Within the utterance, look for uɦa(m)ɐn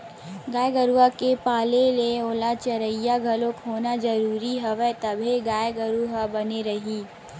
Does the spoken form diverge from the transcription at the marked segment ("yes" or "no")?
yes